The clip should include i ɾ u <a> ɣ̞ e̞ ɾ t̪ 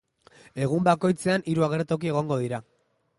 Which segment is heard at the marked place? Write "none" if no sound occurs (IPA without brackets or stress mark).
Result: a